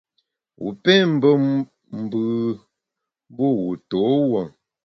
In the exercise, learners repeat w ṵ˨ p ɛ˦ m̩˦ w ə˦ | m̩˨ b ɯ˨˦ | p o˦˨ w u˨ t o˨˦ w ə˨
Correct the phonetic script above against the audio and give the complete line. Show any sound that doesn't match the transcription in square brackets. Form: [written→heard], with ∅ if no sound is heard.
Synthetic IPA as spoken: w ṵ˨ p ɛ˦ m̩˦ [w→b] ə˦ | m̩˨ b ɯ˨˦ | [p→b] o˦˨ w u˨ t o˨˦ w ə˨